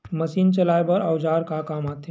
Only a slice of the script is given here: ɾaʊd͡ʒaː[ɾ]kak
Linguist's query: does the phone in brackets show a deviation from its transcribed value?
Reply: no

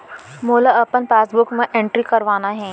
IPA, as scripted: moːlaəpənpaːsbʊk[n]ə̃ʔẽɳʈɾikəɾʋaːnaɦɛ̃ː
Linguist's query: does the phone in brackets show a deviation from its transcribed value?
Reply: yes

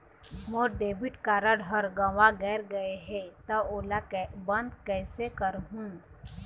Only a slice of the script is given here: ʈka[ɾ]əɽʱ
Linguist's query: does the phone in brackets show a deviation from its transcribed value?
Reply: no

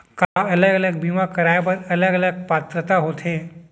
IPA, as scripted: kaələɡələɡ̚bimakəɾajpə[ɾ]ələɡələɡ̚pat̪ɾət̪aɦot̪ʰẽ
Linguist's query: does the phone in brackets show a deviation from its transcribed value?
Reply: no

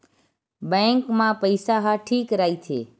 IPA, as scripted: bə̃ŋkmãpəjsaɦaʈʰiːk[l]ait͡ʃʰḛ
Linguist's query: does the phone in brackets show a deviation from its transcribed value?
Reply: yes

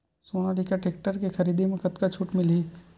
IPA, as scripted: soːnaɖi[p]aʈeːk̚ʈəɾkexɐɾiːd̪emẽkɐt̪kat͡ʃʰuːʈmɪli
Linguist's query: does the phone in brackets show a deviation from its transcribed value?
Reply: yes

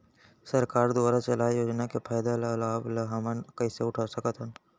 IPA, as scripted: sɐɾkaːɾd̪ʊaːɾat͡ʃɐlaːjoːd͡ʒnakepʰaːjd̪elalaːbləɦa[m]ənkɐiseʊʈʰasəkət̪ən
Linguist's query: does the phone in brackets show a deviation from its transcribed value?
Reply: no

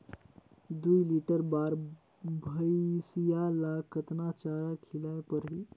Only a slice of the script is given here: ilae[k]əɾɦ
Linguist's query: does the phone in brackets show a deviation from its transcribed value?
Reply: yes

